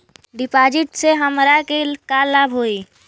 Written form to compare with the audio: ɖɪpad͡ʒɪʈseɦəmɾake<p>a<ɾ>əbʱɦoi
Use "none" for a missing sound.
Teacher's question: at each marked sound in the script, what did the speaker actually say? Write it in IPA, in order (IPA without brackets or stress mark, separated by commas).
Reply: k, l